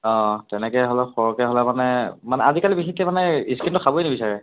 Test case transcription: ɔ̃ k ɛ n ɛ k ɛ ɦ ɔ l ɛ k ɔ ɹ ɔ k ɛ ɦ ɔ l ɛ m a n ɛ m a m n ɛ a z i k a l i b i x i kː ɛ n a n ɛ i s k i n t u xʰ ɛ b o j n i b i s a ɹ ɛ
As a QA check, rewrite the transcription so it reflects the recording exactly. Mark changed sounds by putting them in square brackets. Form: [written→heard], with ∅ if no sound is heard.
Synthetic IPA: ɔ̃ [k→t] ɛ n ɛ k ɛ ɦ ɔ l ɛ [k→x] ɔ ɹ ɔ k ɛ ɦ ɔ l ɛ m a n ɛ m a [m→∅] n ɛ a z i k a l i b i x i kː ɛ [n→m] a n ɛ i s k i n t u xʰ [ɛ→a] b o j n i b i s a ɹ ɛ